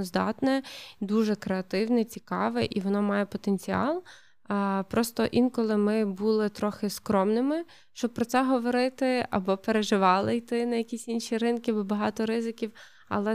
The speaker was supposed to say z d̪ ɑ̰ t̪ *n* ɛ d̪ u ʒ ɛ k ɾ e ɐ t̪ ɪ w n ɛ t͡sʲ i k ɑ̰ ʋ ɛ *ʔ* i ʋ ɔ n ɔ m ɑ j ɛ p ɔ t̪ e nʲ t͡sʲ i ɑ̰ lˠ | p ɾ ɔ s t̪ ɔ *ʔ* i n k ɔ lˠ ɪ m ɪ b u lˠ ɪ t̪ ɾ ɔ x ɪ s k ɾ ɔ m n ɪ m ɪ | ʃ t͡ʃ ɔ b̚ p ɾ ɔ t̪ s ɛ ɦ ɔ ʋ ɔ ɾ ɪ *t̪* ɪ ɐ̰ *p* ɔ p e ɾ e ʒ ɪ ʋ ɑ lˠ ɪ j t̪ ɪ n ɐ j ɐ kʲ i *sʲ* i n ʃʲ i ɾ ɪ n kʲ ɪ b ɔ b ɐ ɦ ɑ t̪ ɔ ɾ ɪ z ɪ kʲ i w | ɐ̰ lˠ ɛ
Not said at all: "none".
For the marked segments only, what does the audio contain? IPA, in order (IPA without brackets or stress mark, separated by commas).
n, ʔ, ʔ, t̪, b, sʲ